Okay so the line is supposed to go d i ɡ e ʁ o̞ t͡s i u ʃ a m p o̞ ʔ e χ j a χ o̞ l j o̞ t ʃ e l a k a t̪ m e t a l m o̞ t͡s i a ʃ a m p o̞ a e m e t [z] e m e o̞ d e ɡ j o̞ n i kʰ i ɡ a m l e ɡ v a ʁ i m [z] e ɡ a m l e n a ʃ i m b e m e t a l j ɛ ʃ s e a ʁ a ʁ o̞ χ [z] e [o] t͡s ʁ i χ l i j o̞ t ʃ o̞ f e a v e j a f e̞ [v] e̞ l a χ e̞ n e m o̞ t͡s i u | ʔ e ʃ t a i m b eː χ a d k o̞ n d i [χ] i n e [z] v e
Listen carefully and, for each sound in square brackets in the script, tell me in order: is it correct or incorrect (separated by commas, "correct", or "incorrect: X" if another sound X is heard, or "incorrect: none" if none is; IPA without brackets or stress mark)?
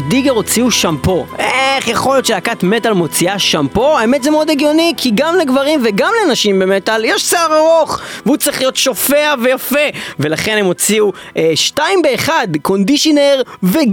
correct, incorrect: v, incorrect: v, incorrect: u, correct, incorrect: ʃ, incorrect: ʁ